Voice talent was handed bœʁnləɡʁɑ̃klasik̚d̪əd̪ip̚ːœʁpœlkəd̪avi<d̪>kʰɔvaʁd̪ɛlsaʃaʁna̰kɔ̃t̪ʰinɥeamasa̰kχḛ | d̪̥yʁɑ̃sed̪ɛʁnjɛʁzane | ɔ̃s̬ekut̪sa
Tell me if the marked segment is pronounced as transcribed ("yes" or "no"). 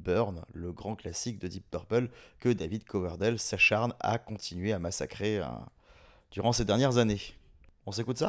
yes